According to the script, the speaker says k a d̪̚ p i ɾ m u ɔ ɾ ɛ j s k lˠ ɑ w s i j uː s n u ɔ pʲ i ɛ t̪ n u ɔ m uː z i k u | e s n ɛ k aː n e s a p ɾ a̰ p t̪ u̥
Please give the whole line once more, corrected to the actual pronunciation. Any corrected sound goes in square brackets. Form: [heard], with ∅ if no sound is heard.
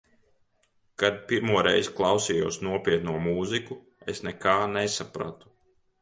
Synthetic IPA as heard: k a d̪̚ p i ɾ m u ɔ ɾ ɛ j [z] k lˠ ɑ w s i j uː s n u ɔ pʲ i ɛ t̪ n u ɔ m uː z i k u | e s n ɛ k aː n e s a p ɾ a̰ [∅] t̪ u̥

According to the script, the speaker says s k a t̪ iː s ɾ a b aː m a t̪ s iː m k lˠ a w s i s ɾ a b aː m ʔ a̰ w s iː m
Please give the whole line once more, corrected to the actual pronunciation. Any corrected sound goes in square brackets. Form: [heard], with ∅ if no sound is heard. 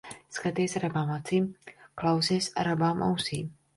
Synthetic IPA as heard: s k a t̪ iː s ɾ a b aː m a t̪ s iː m k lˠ a w s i s ɾ a b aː m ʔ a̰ w s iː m

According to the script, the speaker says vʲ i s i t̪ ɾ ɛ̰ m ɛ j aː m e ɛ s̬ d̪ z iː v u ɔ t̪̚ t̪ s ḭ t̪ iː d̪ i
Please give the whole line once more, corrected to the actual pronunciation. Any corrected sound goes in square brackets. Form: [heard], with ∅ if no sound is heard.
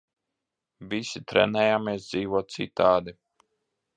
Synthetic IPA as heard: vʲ i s i t̪ ɾ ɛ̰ [n] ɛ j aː m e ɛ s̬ d̪ z iː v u ɔ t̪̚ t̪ s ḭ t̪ [aː] d̪ i

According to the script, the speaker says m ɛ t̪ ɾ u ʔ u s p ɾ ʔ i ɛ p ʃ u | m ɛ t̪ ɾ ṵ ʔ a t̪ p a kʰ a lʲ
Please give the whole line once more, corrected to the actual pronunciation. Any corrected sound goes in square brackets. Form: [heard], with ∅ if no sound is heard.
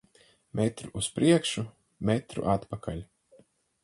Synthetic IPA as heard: m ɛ t̪ ɾ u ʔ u s p ɾ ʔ i ɛ [k] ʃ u | m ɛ t̪ ɾ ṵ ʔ a t̪ p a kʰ a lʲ

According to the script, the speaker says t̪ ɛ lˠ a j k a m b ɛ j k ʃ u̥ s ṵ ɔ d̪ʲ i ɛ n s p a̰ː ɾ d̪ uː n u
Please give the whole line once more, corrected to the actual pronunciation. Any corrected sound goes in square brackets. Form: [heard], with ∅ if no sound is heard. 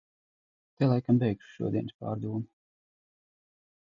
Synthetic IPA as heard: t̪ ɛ lˠ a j k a m b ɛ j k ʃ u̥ [ʃ] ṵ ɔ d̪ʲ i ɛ n s p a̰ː ɾ d̪ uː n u

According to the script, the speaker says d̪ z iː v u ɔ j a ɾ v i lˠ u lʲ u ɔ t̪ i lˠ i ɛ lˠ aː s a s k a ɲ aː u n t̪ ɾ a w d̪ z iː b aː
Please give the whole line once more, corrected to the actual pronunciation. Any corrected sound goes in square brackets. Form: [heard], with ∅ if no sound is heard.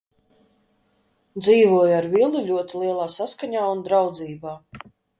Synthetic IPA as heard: d̪ z iː v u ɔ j a ɾ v i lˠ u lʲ u ɔ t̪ i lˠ i ɛ lˠ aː s a s k a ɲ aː u n [d̪] ɾ a w d̪ z iː b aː

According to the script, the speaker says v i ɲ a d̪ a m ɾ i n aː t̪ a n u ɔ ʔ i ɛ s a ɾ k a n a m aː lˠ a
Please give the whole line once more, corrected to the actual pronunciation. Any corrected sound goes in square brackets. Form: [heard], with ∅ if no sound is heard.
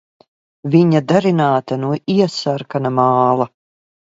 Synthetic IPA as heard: v i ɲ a d̪ a [∅] ɾ i n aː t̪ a n u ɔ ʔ i ɛ s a ɾ k a n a m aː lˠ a

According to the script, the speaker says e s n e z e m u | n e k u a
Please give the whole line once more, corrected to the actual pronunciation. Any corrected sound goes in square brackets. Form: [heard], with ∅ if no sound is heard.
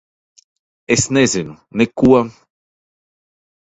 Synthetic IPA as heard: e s n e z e [n] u | n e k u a

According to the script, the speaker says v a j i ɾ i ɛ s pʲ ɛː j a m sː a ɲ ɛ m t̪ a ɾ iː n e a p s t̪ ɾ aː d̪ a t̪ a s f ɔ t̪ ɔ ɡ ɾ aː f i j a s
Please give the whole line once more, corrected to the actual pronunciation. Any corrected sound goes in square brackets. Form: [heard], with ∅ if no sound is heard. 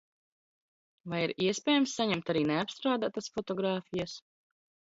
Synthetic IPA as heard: v a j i ɾ i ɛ s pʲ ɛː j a m sː a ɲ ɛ m t̪ a ɾ iː n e a p s t̪ ɾ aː d̪ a t̪ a s f ɔ t̪ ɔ ɡ ɾ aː f i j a s

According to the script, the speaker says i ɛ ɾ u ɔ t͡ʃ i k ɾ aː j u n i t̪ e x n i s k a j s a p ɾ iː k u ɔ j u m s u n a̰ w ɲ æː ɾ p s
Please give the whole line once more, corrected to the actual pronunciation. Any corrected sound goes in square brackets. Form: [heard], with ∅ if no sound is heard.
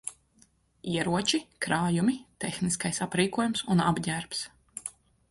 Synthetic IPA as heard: i ɛ ɾ u ɔ t͡ʃ i k ɾ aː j u [m] i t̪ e x n i s k a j s a p ɾ iː k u ɔ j u m s u n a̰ [b] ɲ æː ɾ p s

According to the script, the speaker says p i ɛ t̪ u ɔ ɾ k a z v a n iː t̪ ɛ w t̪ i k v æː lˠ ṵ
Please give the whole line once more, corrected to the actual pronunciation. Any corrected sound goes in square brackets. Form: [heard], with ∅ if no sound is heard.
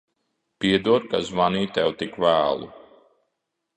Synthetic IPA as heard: p i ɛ [d̪] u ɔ ɾ k a z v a n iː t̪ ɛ w t̪ i k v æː lˠ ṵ

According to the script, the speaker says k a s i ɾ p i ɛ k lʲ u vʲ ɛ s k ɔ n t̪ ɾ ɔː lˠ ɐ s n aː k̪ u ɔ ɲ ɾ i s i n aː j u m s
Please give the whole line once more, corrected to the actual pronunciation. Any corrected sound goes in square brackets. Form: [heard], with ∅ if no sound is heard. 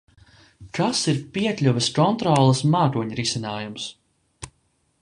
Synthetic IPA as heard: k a s i ɾ p i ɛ k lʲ u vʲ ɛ s k ɔ n t̪ ɾ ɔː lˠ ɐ s [m] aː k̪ u ɔ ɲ ɾ i s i n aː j u m s

